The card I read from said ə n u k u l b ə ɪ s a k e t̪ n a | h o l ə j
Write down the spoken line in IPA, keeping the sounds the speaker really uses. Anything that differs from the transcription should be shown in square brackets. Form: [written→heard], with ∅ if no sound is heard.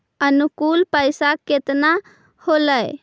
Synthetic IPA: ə n u k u l [b→p] ə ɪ s a k e t̪ n a | h o l ə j